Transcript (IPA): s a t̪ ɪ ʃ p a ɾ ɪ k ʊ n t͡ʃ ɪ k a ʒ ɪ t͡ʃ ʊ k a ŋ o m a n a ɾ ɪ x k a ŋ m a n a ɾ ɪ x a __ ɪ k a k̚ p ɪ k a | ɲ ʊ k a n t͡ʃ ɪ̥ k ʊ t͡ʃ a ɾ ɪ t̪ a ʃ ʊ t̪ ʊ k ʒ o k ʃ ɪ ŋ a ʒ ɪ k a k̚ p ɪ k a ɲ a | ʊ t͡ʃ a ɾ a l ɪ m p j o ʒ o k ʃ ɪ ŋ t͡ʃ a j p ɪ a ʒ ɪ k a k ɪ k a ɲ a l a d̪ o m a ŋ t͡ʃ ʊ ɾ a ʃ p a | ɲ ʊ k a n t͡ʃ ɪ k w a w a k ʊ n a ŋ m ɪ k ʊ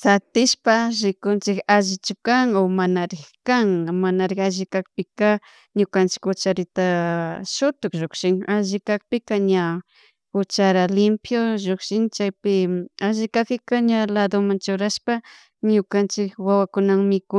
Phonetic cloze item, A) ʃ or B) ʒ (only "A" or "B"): B